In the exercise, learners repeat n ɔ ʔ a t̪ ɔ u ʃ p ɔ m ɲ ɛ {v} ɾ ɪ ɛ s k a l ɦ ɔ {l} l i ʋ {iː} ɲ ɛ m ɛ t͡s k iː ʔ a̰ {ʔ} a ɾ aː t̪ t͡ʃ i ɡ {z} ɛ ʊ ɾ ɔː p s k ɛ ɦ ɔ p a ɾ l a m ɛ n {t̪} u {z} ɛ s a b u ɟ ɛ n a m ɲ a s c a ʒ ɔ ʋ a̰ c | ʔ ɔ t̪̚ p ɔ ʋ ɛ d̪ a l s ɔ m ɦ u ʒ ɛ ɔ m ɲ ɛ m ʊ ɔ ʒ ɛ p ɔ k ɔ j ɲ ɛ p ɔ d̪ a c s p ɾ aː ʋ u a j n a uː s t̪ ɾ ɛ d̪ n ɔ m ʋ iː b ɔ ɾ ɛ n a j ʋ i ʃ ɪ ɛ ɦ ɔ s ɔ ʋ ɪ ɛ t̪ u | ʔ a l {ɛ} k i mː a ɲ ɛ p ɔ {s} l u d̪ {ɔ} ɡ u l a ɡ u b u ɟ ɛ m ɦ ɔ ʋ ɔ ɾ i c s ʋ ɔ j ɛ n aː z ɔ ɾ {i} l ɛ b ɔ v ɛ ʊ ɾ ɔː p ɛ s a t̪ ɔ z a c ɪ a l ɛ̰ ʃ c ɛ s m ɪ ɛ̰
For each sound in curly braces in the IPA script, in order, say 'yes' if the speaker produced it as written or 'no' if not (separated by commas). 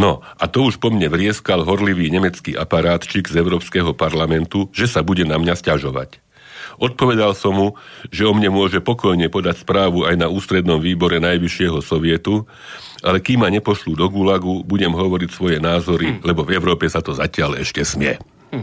no, no, yes, no, yes, yes, no, yes, no, yes, yes